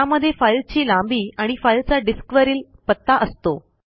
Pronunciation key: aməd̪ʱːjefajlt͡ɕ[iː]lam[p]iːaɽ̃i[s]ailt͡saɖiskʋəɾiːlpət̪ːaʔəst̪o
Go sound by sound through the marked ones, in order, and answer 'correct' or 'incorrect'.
correct, incorrect, incorrect

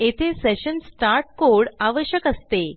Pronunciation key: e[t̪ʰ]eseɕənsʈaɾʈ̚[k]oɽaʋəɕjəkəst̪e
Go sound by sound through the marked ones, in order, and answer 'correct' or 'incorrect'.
correct, correct

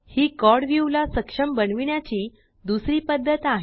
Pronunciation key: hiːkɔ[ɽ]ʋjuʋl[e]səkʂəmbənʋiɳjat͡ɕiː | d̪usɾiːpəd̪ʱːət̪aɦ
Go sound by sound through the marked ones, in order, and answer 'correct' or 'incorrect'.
correct, incorrect

